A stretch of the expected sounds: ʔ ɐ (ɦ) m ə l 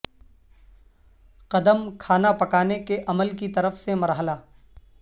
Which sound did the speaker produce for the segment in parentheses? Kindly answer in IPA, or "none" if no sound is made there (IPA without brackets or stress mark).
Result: none